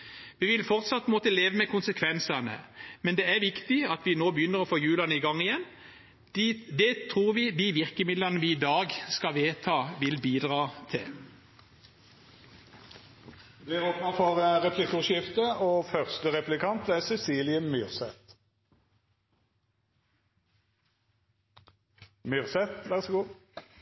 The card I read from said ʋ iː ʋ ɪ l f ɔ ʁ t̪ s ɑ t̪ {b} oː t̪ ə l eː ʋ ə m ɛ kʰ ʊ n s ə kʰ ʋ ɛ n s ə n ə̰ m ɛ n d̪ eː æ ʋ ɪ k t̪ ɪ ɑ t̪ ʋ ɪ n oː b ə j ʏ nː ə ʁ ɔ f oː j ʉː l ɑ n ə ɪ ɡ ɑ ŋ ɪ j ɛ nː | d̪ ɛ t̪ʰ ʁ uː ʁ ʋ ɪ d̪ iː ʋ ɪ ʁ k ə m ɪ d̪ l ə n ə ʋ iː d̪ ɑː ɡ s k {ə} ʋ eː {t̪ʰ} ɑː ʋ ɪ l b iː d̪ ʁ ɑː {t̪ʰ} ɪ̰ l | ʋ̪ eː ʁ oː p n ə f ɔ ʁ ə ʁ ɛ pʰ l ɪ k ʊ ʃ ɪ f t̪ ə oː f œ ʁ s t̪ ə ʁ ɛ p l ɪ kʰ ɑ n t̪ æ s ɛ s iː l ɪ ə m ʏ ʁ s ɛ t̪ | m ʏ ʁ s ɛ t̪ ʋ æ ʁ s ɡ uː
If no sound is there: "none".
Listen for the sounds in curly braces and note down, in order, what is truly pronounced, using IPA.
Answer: m, ɑ, t̪ʰ, t̪ʰ

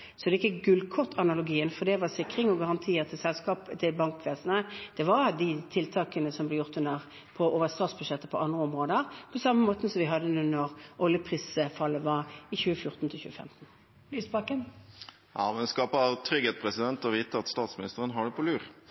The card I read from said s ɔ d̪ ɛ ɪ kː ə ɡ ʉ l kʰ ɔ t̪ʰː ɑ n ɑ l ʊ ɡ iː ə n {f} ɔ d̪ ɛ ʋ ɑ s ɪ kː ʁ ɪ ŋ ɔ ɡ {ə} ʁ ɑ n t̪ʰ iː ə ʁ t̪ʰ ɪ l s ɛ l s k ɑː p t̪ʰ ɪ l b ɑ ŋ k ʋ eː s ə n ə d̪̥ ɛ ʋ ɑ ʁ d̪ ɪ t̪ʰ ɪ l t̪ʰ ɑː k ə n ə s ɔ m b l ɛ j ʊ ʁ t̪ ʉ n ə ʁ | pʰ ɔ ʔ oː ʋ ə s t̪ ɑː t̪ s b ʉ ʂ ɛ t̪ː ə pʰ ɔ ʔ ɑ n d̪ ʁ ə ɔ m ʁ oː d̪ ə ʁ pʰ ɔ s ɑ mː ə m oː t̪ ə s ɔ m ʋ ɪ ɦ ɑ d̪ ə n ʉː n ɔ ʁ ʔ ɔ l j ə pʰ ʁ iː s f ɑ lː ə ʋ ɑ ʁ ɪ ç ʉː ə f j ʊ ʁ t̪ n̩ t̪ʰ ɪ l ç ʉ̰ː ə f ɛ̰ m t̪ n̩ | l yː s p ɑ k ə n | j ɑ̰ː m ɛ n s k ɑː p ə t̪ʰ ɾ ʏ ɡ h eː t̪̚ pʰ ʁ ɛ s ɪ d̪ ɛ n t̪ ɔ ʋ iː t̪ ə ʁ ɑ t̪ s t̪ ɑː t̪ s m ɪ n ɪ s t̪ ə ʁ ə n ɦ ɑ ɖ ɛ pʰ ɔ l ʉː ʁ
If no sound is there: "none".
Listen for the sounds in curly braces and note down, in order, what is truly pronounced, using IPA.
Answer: f, ɑ

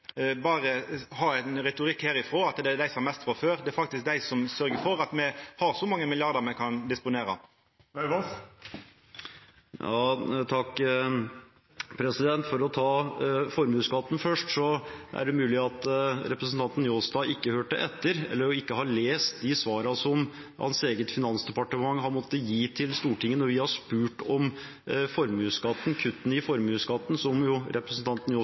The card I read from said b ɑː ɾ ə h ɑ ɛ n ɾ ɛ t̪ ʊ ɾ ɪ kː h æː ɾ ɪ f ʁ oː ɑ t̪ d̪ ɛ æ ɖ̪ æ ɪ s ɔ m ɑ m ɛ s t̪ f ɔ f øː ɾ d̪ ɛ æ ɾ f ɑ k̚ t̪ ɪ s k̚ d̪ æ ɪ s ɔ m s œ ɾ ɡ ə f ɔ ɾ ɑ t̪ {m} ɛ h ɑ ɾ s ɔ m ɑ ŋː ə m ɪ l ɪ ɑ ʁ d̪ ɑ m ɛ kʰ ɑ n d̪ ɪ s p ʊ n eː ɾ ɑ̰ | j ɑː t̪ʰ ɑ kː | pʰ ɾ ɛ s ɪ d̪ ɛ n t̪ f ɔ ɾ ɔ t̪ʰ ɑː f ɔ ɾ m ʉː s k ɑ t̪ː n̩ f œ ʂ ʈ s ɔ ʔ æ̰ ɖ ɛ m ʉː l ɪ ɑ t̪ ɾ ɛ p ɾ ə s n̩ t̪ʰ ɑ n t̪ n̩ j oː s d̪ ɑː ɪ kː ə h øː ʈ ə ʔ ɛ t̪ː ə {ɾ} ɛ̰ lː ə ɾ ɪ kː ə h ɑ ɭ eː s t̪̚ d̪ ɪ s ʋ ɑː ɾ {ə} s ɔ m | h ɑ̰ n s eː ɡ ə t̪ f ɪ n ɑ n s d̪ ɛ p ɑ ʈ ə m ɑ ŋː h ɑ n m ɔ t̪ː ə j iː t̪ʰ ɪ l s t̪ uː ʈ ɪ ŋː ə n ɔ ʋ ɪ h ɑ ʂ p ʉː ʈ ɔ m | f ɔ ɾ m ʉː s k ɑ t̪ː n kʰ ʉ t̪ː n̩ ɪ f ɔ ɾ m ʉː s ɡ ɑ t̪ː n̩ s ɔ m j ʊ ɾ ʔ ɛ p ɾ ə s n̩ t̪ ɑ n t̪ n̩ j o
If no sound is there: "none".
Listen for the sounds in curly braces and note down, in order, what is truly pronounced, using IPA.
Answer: m, ɾ, ɑ

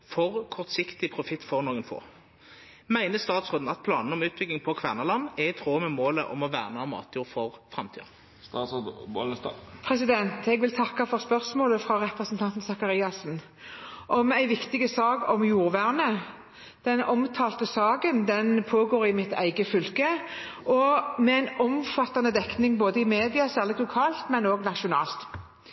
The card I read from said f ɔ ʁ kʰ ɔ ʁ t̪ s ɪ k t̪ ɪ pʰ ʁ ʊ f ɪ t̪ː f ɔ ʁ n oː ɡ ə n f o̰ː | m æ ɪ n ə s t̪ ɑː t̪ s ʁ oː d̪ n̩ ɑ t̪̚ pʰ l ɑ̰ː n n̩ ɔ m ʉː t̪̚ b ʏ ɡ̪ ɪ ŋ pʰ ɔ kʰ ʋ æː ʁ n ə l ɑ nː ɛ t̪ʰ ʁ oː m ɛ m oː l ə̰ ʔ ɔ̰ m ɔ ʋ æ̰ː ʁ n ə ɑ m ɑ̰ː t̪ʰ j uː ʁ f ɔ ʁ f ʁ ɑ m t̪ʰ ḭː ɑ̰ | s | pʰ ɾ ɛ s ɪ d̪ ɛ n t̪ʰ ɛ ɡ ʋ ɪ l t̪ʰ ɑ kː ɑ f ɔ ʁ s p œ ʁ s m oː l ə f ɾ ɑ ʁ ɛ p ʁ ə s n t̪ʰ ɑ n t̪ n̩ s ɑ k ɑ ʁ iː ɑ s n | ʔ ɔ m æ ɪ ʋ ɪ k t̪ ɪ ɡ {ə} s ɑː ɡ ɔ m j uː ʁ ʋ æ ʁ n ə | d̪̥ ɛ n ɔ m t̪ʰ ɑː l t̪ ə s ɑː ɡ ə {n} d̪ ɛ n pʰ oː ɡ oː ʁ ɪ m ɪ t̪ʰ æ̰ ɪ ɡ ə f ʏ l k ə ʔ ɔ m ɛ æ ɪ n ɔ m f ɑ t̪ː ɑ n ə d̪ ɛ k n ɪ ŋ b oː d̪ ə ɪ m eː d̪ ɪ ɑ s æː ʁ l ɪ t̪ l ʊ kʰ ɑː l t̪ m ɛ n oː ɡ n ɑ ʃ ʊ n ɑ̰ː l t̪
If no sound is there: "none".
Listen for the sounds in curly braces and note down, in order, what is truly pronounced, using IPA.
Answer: ə, n

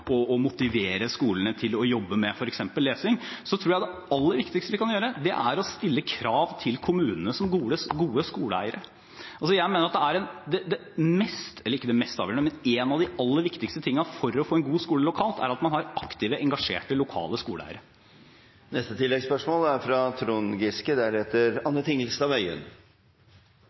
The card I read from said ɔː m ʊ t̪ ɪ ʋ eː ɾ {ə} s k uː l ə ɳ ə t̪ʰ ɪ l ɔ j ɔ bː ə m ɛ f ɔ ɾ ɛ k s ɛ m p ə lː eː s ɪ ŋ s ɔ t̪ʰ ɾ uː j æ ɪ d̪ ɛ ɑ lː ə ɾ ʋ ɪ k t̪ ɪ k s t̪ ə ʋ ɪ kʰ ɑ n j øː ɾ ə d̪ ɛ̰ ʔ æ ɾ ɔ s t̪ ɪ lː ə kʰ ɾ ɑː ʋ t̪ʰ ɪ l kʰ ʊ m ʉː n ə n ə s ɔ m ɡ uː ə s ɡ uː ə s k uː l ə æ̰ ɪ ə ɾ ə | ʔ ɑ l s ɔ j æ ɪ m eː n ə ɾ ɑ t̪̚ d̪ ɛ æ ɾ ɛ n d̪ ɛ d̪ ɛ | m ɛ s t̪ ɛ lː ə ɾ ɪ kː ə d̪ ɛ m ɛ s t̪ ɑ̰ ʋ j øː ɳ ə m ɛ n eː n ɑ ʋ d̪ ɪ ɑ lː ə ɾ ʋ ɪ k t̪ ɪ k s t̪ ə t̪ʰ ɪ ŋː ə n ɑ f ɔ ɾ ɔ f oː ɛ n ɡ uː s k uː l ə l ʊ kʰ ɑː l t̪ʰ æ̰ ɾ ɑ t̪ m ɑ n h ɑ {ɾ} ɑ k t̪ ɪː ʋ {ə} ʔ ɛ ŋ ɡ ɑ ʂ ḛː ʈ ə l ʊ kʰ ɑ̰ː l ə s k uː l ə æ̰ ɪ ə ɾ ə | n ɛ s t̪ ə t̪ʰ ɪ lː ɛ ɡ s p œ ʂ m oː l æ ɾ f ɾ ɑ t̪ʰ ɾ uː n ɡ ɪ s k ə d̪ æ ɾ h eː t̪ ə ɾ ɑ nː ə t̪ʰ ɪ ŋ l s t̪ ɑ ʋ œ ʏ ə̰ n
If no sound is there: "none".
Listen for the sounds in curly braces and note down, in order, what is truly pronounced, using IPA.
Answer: ə, ɾ, ə

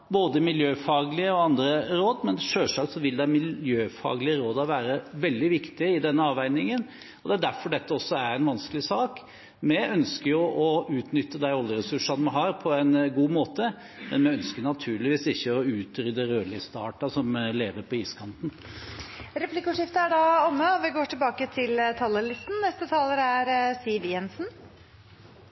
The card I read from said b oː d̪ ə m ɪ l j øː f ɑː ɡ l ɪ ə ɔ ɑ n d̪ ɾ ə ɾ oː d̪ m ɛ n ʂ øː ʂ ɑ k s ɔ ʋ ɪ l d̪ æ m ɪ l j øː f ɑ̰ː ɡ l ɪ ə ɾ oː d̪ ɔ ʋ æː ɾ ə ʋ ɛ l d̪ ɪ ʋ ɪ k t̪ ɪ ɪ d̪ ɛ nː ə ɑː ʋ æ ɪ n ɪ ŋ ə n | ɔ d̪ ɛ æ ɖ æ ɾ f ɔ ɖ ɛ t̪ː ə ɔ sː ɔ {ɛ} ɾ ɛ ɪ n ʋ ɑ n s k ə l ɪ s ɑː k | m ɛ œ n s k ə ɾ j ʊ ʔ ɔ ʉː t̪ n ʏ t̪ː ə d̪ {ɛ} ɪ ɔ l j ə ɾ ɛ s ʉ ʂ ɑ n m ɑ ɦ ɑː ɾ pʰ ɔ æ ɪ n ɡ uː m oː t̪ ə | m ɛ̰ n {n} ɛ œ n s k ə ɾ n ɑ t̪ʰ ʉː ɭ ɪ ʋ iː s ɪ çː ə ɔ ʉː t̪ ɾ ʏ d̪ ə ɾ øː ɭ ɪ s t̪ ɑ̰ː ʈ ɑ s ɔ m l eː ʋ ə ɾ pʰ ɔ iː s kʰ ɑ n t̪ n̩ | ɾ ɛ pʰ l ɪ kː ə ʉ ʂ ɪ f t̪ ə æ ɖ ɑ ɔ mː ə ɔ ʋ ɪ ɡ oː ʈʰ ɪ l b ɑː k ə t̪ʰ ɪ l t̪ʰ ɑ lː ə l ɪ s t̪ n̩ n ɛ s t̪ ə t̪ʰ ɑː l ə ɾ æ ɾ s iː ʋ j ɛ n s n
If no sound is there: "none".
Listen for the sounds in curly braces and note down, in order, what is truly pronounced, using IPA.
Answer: æ, æ, m

